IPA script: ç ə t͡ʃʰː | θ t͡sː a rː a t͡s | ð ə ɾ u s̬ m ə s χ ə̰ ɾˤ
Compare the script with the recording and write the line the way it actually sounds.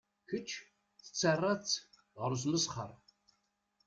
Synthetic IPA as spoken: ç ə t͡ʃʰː | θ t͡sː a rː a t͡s | ʁ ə ɾ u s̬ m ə s χ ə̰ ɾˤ